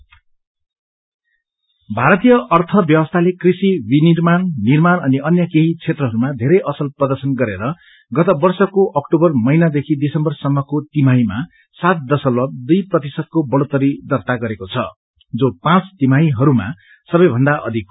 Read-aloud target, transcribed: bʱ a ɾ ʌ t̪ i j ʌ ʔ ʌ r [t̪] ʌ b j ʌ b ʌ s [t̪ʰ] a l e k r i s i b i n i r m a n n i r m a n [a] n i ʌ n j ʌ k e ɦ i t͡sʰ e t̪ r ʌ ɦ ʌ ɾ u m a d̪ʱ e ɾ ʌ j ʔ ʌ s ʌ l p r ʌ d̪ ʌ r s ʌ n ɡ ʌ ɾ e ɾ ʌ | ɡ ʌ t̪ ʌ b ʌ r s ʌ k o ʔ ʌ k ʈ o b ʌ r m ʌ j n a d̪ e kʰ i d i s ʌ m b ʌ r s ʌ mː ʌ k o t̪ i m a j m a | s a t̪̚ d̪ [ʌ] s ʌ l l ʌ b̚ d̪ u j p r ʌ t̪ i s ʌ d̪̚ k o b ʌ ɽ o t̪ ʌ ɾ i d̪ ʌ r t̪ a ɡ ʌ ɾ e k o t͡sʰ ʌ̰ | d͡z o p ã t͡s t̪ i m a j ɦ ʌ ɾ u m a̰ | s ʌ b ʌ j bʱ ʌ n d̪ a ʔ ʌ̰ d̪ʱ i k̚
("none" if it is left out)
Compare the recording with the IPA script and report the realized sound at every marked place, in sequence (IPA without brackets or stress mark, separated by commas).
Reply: t̪ʰ, t̪ʰ, ʌ, ʌ